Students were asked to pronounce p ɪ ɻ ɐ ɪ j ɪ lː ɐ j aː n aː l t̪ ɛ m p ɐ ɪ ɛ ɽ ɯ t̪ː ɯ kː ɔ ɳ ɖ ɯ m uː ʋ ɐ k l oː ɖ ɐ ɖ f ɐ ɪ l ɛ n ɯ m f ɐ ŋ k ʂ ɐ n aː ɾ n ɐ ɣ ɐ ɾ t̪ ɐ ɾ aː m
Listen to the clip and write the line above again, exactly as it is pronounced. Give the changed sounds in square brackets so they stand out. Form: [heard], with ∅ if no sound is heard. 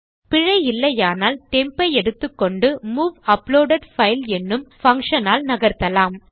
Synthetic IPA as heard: p ɪ ɻ ɐ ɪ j ɪ lː ɐ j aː n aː l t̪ ɛ m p ɐ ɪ ɛ ɽ ɯ t̪ː ɯ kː ɔ ɳ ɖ ɯ m uː ʋ ɐ [p] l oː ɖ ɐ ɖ f ɐ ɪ l ɛ [nː] ɯ m f ɐ ŋ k ʂ ɐ n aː [l] n ɐ ɣ ɐ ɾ t̪ ɐ [l] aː m